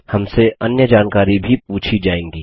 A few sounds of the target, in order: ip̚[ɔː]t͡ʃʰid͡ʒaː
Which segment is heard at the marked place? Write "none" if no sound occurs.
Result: uː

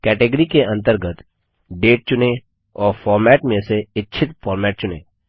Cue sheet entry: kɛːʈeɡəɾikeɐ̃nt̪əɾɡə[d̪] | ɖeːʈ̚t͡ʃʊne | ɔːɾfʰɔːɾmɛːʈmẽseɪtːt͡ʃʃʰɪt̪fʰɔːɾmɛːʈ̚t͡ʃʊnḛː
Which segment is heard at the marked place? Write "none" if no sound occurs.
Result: t̪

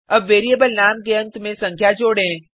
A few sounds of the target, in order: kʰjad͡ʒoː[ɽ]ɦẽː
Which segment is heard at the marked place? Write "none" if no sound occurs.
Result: ɽ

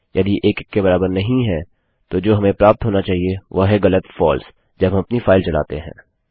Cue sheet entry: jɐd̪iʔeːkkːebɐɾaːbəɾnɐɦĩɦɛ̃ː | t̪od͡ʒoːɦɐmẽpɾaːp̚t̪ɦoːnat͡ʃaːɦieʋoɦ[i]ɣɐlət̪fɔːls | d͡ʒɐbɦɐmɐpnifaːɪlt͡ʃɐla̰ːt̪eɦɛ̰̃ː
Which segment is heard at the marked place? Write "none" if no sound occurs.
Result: ɛ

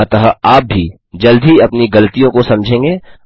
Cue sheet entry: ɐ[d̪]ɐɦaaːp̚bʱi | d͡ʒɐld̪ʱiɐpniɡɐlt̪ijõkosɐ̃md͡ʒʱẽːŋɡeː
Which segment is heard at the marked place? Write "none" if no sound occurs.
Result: t̪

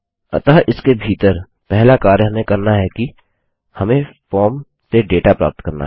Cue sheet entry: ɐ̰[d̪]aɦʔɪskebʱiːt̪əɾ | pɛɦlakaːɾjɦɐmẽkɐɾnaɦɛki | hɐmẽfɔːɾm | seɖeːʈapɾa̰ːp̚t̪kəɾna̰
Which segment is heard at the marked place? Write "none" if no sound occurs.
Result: t̪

